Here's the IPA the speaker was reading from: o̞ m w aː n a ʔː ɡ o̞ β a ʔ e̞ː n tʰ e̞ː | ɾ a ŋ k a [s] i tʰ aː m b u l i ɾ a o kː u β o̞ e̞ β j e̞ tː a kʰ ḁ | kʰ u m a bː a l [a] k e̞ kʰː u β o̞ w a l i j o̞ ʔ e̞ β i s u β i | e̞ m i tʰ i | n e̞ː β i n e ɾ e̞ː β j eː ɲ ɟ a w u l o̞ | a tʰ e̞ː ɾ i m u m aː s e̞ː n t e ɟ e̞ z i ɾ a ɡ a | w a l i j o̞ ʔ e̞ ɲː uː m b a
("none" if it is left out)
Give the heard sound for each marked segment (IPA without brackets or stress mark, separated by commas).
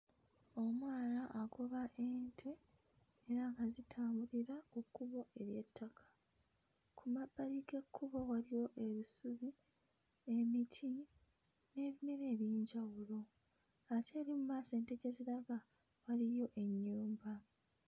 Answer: z, i